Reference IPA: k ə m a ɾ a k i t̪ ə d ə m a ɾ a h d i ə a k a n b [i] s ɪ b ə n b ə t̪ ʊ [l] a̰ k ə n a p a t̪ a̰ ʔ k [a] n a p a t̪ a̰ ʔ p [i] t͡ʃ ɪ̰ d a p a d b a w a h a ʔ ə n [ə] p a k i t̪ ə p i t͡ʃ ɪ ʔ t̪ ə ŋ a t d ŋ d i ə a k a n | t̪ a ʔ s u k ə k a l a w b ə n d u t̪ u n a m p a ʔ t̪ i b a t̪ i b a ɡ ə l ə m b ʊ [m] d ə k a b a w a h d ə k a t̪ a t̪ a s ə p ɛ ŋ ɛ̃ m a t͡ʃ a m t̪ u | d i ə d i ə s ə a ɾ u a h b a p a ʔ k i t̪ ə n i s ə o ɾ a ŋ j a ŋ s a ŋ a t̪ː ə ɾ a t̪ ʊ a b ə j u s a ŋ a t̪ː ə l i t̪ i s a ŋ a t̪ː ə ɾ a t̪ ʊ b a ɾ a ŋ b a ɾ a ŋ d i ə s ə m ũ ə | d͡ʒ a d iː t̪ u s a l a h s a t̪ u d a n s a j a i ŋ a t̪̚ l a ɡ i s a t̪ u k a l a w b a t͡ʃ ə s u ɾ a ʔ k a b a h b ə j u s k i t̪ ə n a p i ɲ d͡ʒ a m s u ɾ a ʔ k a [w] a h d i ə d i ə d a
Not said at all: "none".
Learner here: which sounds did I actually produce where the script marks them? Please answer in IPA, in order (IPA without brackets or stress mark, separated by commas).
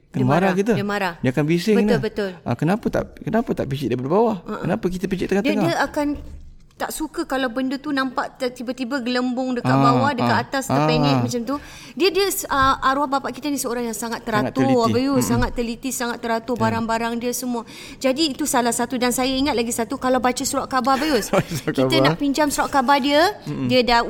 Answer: i, l, ə, i, a, ŋ, b